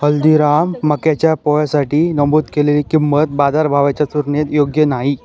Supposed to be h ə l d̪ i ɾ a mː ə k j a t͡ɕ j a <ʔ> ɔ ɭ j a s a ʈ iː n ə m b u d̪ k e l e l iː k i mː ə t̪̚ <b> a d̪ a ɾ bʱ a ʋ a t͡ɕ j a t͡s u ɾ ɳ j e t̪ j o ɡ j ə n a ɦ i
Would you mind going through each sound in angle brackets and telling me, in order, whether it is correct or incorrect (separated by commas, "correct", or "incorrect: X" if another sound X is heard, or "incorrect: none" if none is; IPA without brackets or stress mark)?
incorrect: p, correct